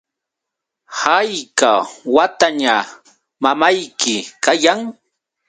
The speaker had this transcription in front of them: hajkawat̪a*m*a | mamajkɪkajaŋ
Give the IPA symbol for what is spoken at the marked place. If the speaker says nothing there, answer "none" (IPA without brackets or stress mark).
ɲ